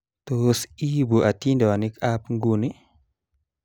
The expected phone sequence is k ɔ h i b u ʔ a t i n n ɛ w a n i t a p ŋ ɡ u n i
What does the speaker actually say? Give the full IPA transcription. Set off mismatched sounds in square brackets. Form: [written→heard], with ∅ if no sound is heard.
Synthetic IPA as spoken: [k→t] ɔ [h→s] i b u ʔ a t i n [n→d] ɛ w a n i [t→k] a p ŋ ɡ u n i